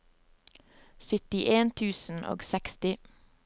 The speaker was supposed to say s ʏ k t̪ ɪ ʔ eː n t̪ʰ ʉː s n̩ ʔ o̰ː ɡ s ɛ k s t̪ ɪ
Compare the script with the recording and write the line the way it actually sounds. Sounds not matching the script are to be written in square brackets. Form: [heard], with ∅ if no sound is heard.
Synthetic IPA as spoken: s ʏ [∅] t̪ ɪ ʔ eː n t̪ʰ ʉː s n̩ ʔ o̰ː ɡ s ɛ k s t̪ ɪ